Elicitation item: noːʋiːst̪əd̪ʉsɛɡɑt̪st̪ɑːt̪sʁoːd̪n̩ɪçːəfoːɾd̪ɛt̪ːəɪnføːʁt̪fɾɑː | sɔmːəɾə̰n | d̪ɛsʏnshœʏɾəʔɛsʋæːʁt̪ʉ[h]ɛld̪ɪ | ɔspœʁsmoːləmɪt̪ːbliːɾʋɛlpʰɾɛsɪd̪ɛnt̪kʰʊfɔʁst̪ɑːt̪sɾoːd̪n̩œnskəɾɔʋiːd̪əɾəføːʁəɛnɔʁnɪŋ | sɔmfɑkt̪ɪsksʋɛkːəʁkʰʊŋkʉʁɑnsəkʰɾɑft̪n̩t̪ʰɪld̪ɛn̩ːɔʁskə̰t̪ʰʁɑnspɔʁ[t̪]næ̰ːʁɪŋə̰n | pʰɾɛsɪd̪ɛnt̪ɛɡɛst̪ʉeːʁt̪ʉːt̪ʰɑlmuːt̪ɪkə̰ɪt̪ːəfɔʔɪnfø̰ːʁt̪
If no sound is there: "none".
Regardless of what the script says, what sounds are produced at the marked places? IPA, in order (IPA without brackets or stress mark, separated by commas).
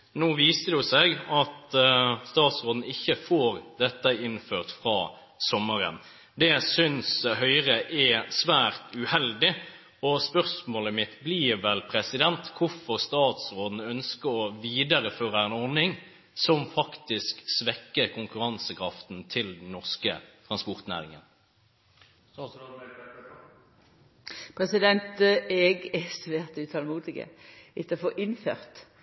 h, t̪